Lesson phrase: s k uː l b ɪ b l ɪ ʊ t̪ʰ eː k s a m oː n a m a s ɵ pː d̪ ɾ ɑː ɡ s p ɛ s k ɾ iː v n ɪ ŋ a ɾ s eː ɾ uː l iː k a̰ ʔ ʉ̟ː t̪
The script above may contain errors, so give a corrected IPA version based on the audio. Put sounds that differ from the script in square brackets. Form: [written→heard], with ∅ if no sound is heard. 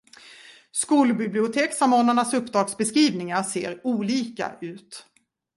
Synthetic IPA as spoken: s k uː l b ɪ b l ɪ ʊ t̪ʰ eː k s a m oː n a [m→ɳ] a s ɵ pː d̪ ɾ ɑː ɡ s [p→b] ɛ s k ɾ iː v n ɪ ŋ a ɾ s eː ɾ uː l iː k a̰ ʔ ʉ̟ː t̪